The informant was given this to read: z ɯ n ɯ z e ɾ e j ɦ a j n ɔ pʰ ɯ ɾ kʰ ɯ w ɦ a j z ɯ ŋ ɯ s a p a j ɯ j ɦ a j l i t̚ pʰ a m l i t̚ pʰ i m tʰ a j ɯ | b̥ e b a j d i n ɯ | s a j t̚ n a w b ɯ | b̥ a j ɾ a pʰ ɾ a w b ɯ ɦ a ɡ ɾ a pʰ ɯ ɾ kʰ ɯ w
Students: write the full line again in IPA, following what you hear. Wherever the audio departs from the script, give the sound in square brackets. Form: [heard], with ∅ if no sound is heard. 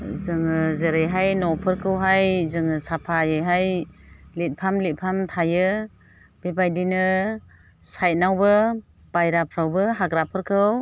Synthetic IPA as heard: z ɯ [ŋ] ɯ z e ɾ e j ɦ a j n ɔ pʰ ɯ ɾ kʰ ɯ w ɦ a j z ɯ ŋ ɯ s a [pʰ] a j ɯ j ɦ a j l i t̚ pʰ a m l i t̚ pʰ [a] m tʰ a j ɯ | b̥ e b a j d i n ɯ | s a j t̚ n a w b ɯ | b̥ a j ɾ a pʰ ɾ a w b ɯ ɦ a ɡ ɾ a pʰ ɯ ɾ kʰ ɯ w